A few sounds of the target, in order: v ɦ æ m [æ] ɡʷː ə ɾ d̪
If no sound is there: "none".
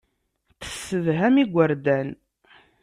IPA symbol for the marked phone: i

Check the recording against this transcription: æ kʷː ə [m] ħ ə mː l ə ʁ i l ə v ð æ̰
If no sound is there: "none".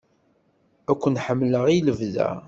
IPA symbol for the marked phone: n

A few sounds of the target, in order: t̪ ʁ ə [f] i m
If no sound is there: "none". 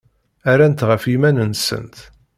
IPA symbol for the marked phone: f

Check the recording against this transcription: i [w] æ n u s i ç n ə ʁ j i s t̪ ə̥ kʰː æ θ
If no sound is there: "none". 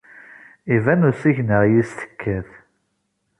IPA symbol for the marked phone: v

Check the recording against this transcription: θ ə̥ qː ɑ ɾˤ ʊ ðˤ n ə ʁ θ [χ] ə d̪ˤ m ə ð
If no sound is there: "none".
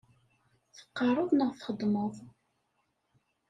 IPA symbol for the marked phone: χ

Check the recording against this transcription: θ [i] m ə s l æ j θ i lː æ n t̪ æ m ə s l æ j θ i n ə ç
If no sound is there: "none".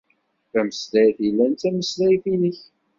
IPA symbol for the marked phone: æ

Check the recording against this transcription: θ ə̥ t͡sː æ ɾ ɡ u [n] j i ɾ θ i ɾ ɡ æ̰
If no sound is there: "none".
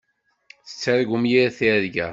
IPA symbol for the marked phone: m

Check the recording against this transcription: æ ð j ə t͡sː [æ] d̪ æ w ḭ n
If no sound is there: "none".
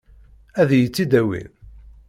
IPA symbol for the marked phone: i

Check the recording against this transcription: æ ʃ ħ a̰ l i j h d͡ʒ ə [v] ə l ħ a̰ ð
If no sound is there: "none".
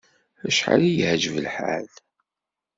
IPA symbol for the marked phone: v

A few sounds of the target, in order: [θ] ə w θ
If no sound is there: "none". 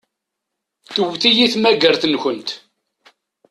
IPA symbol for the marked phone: θ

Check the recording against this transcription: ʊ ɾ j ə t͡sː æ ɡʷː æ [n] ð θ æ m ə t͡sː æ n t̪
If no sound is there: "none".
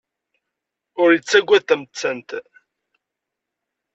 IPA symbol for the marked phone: none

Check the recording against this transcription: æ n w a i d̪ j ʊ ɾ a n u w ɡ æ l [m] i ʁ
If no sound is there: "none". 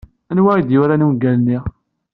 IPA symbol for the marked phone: n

